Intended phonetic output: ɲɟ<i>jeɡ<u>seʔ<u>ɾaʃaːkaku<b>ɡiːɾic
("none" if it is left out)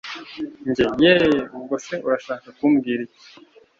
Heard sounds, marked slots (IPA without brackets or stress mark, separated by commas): e, o, u, m